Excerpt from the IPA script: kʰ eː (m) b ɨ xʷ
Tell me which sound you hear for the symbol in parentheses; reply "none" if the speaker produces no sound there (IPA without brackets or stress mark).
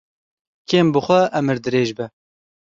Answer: m